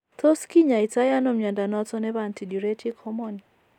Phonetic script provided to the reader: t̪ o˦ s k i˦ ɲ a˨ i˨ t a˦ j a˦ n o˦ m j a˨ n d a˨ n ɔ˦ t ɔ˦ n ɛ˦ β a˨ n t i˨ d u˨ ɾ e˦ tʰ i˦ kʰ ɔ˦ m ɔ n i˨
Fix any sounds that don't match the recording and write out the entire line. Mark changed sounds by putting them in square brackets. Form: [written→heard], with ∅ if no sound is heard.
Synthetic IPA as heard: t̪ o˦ s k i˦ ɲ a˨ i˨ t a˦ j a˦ n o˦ m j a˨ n d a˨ n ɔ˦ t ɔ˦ n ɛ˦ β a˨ n t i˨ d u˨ ɾ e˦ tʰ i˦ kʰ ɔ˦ m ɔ n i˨